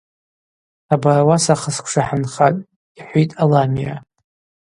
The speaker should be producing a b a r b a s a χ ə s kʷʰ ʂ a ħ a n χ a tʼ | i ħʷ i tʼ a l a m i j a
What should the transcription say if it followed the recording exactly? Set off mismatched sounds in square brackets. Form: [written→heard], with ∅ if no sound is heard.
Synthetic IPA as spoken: a b a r [b→w] a s a χ ə s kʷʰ ʂ a ħ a n χ a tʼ | i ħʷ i tʼ a l a m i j a